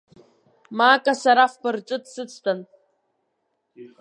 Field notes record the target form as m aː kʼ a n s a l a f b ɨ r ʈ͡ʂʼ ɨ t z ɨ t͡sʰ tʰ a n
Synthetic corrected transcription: m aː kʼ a s a ɾ a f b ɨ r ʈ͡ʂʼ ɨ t s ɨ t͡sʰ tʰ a n